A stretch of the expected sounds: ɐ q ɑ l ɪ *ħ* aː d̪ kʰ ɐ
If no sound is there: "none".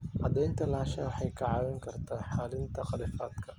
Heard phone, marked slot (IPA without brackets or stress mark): f